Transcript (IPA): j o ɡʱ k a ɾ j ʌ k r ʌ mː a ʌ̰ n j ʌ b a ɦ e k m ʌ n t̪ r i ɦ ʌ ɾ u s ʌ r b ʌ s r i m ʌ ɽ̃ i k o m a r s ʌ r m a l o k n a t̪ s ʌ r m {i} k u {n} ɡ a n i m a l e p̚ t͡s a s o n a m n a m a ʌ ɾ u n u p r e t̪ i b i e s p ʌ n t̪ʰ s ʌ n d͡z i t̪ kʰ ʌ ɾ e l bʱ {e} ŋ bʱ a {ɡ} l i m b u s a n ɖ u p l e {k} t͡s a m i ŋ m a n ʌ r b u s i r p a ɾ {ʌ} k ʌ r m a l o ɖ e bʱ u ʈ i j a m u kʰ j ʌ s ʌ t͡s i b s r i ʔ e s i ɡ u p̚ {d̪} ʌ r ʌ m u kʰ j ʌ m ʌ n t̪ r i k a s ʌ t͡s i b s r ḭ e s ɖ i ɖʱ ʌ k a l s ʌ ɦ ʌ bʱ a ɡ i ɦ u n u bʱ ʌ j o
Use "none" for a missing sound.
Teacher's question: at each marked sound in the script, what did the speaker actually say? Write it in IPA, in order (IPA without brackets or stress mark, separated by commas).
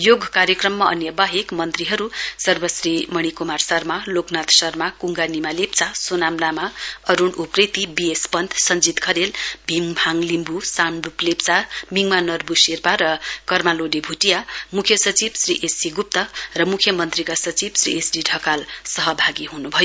a, ŋ, i, ŋ, p, ʌ, t̪